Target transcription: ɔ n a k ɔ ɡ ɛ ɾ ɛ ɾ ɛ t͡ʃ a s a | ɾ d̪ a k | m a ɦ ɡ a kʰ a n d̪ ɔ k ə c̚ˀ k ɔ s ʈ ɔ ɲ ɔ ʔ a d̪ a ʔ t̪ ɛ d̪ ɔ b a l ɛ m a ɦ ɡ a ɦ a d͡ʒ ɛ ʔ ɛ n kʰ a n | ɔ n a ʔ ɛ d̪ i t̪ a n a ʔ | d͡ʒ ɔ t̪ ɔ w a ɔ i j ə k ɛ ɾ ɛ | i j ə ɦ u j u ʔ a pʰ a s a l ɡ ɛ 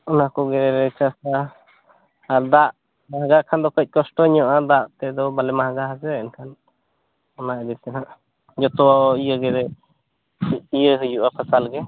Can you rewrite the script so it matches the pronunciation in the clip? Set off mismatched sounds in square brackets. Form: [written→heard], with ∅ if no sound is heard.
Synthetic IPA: ɔ n a k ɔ ɡ ɛ ɾ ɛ ɾ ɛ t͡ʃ a s a | ɾ d̪ a [k→ʔ] | m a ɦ ɡ a kʰ a n d̪ ɔ k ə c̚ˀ k ɔ s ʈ ɔ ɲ ɔ ʔ a d̪ a ʔ t̪ ɛ d̪ ɔ b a l ɛ m a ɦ ɡ a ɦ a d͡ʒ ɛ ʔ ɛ n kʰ a n | ɔ n a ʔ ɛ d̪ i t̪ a n a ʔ | d͡ʒ ɔ t̪ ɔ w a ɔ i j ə [k→ɡ] ɛ ɾ ɛ | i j ə ɦ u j u ʔ a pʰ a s a l ɡ ɛ